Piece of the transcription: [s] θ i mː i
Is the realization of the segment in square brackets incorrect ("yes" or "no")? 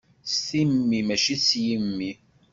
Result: no